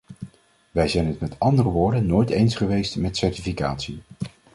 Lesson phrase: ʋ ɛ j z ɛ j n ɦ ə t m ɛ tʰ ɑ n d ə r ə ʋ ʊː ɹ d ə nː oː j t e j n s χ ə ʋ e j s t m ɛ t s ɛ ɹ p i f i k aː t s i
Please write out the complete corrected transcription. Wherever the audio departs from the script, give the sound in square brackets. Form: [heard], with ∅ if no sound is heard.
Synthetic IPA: ʋ ɛ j z ɛ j n ɦ ə t m ɛ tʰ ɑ n d ə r ə ʋ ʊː ɹ d ə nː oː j t e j n s χ ə ʋ e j s t m ɛ t s ɛ ɹ [t] i f i k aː t s i